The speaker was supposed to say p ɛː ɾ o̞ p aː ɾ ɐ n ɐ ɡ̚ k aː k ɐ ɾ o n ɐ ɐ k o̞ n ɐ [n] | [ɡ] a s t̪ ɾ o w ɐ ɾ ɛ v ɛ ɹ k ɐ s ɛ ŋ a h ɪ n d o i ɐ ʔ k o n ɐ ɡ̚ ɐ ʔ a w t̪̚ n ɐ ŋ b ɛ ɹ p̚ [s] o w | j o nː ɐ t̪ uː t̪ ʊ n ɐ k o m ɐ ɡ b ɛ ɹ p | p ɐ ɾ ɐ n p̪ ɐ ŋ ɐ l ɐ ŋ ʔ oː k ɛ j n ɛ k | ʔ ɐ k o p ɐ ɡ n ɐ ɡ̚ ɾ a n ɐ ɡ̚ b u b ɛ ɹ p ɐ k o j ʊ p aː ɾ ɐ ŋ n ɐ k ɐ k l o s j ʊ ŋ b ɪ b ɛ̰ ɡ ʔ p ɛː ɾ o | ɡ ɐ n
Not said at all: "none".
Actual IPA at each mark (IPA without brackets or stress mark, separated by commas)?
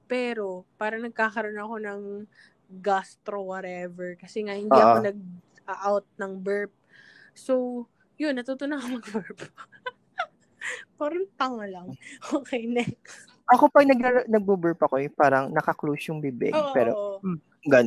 ŋ, ɡ, s